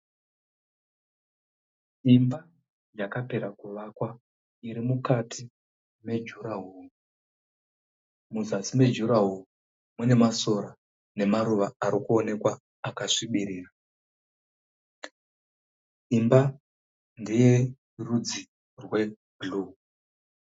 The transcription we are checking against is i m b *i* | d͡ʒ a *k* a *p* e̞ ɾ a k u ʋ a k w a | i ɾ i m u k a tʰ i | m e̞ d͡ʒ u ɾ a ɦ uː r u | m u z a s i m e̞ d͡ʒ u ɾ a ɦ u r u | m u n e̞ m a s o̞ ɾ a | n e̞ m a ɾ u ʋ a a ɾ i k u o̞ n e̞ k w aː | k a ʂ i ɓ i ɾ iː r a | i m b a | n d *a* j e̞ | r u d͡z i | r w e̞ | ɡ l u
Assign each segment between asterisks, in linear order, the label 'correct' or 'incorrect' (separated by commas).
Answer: incorrect, correct, correct, incorrect